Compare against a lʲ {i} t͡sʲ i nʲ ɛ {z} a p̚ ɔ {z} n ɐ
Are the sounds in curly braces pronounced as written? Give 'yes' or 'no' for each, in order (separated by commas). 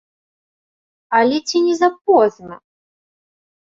no, yes, yes